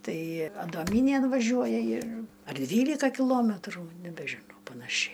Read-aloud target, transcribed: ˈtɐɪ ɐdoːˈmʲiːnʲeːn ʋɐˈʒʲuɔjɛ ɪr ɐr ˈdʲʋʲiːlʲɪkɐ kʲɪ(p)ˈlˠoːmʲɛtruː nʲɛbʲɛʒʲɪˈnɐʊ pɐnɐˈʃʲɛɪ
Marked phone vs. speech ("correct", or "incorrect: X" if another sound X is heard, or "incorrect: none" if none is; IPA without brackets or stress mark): incorrect: none